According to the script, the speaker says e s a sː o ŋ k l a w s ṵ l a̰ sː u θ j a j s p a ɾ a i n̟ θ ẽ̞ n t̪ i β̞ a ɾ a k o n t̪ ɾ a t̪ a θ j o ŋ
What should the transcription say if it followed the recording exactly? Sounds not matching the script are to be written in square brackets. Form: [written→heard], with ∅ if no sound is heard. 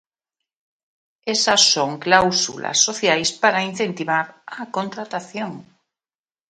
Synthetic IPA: e s a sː o ŋ k l a w s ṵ l a̰ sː [u→o] θ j a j s p a ɾ a i n̟ θ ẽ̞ n t̪ i β̞ a ɾ a k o n t̪ ɾ a t̪ a θ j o ŋ

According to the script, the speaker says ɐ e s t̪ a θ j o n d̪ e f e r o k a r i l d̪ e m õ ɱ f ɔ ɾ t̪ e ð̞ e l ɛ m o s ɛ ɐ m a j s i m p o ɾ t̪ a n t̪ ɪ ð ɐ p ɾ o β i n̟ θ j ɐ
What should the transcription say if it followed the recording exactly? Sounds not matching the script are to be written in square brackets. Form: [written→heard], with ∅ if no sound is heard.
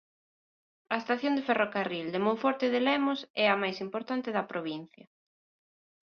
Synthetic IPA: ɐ e s t̪ a θ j o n d̪ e f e r o k a r i l d̪ e m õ ɱ f ɔ ɾ t̪ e ð̞ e l ɛ m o s ɛ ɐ m a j s i m p o ɾ t̪ a n t̪ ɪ ð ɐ p ɾ o β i n̟ θ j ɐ

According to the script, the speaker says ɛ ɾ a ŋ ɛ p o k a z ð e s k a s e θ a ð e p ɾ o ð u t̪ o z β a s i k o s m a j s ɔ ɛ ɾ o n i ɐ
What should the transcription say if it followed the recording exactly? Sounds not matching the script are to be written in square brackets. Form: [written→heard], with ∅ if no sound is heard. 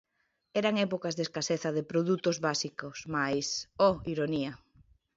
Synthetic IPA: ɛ ɾ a ŋ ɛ p o k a z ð e s k a s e θ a ð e p ɾ o ð u t̪ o z β a s i k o s m a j s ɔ [ɛ→i] ɾ o n i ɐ

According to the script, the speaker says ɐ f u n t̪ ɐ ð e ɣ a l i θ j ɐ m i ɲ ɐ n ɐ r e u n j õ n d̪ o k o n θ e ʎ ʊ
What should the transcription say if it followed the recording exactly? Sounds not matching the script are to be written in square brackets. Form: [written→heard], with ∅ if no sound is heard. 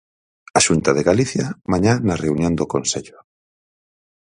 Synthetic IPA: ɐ [f→ʃ] u n t̪ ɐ ð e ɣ a l i θ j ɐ m [i→a] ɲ [ɐ→a] n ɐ r e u n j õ n d̪ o k o n [θ→s] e ʎ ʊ

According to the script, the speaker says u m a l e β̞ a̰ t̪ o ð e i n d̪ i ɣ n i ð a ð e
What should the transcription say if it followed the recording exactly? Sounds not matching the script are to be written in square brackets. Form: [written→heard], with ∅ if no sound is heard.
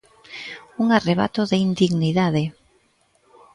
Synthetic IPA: u [m→ŋ] a [l→r] e β̞ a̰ t̪ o ð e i n d̪ i ɣ n i ð a ð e

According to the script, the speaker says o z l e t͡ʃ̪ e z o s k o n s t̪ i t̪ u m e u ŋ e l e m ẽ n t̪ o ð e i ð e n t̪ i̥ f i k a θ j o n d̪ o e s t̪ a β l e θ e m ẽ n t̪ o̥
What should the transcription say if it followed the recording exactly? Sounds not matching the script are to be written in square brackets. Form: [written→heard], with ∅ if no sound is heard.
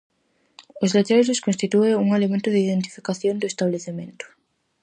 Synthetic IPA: o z l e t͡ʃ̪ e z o s k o n s t̪ i t̪ u [m→∅] e u ŋ e l e m ẽ n t̪ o ð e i ð e n t̪ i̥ f i k a θ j o n d̪ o e s t̪ a β l e θ e m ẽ n t̪ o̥

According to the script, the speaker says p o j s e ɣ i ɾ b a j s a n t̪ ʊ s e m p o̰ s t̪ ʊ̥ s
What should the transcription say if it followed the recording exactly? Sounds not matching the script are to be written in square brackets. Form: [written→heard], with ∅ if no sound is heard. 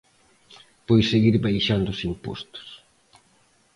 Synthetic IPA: p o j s e ɣ i ɾ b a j [s→ʃ] a n [t̪→d̪] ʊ s [e→i] m p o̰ s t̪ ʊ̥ s

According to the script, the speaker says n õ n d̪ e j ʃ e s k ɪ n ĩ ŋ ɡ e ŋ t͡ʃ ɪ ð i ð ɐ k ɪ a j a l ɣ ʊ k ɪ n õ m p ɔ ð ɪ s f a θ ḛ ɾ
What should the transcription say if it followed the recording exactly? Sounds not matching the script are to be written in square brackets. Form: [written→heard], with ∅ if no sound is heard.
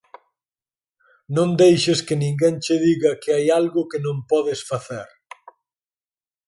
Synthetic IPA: n õ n d̪ e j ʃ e s k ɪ n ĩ ŋ ɡ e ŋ t͡ʃ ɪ ð i [ð→ɣ] ɐ k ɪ a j a l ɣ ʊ k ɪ n õ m p ɔ ð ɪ s f a θ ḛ ɾ

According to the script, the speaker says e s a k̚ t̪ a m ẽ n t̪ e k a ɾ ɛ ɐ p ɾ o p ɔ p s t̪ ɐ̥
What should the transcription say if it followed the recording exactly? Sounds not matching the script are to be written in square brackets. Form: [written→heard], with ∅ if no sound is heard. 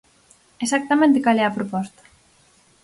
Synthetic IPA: e s a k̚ t̪ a m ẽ n t̪ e k a [ɾ→l] ɛ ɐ p ɾ o p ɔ [p→∅] s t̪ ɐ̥

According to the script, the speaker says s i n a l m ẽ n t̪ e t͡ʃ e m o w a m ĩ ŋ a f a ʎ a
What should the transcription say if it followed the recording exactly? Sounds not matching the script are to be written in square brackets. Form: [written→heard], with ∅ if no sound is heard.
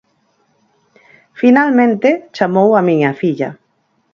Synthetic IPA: [s→f] i n a l m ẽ n t̪ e t͡ʃ [e→a] m o w a m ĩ [ŋ→ɲ] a f [a→i] ʎ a

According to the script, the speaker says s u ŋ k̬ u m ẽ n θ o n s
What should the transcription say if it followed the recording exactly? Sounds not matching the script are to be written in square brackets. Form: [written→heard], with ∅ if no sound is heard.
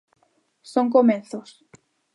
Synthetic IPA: s [u→o] ŋ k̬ [u→o] m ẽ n θ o [n→∅] s

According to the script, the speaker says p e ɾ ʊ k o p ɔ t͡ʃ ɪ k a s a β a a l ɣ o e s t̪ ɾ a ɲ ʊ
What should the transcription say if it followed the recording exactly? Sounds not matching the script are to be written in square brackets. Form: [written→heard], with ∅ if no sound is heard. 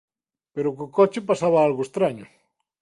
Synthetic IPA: p e ɾ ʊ k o [p→k] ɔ t͡ʃ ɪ [k→p] a s a β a a l ɣ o e s t̪ ɾ a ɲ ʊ

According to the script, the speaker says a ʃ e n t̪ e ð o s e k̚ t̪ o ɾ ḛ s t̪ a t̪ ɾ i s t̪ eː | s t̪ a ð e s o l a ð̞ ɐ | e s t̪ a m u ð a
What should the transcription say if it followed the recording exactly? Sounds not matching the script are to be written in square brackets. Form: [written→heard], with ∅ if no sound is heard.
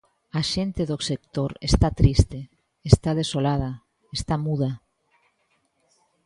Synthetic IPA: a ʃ e n t̪ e ð o s e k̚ t̪ o ɾ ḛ s t̪ a t̪ ɾ i s t̪ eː | s t̪ a ð e s o l a ð̞ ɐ | e s t̪ a m u ð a

